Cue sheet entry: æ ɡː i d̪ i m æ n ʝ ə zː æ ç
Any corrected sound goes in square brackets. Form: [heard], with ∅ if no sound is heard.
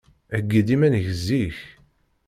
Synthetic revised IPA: æ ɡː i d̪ i m æ n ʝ ə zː [i] ç